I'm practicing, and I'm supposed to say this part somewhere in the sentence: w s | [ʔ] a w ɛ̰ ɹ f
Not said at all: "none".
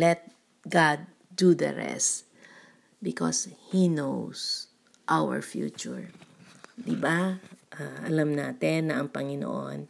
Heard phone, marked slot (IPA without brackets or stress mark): ʔ